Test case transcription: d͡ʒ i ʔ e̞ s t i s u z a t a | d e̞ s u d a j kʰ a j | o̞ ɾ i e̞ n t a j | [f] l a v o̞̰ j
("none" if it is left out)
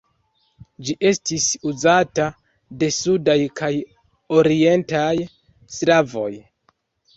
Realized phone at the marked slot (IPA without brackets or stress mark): s